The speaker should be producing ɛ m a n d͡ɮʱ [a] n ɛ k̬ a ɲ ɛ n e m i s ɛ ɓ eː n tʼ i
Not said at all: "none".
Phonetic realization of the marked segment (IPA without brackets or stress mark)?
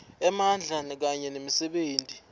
a